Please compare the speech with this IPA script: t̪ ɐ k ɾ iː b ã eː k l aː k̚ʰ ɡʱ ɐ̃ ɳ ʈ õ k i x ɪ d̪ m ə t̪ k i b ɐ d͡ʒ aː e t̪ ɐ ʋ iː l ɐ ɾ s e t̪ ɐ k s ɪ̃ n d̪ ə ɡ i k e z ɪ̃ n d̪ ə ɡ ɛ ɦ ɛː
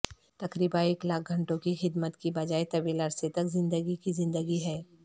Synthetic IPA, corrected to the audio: t̪ ɐ k ɾ iː b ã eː k l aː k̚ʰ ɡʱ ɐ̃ ɳ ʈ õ k i x ɪ d̪ m ə t̪ k i b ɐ d͡ʒ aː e t̪ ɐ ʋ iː l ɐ ɾ s e t̪ ɐ k z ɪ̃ n d̪ ə ɡ i k i z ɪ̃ n d̪ ə ɡ i ɦ ɛː